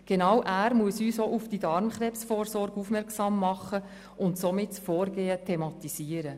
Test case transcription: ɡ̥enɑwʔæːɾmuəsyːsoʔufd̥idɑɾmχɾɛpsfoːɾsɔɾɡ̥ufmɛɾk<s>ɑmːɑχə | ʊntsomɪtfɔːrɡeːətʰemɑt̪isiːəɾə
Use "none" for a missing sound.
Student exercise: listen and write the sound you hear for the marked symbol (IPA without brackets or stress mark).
s